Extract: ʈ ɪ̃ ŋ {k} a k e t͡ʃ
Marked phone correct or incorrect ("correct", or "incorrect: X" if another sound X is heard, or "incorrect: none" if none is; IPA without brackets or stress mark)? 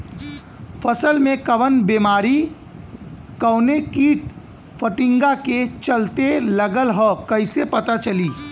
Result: incorrect: ɡ